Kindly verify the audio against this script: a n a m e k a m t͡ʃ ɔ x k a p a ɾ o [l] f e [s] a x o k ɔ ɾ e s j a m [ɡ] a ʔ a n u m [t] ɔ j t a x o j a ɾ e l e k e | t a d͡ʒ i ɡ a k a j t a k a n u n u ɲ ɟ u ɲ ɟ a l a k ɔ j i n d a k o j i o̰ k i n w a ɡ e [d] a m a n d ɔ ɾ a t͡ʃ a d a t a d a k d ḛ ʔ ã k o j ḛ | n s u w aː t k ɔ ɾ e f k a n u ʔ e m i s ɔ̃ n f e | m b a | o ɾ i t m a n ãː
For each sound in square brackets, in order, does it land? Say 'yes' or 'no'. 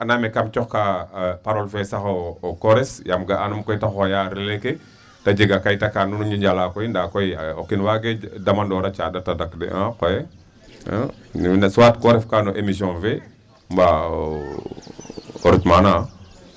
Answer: yes, yes, yes, no, yes

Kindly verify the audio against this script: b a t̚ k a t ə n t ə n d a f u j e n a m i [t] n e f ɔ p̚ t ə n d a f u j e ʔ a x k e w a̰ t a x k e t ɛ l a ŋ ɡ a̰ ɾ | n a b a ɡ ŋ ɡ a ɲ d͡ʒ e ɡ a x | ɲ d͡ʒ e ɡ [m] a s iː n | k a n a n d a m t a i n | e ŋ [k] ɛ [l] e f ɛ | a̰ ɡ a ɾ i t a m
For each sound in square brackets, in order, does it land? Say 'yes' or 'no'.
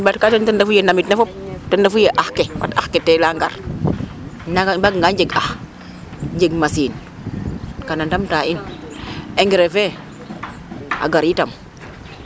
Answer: yes, yes, no, no

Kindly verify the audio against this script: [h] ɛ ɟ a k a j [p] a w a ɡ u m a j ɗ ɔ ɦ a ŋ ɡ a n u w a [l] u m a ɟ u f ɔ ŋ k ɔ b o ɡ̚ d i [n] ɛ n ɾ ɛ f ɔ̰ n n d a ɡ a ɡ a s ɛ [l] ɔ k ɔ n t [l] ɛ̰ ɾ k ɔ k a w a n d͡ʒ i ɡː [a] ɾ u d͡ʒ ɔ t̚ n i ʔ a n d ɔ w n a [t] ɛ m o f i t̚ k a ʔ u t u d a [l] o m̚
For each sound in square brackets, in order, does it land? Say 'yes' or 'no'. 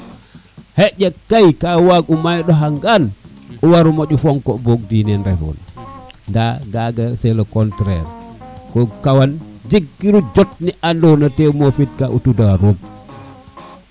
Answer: yes, no, no, yes, yes, no, no, yes, no

